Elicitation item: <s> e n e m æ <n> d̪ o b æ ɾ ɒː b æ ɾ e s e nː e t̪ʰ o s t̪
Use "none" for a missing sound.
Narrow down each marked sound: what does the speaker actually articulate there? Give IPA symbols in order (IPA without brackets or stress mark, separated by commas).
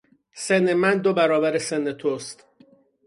s, n